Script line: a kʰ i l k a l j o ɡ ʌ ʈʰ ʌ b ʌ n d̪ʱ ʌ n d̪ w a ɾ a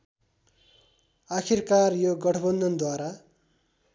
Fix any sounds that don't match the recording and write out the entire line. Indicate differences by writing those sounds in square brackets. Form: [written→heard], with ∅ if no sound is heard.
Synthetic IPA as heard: a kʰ i [l→r] k a [l→r] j o ɡ ʌ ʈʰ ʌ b ʌ n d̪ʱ ʌ n d̪ w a ɾ a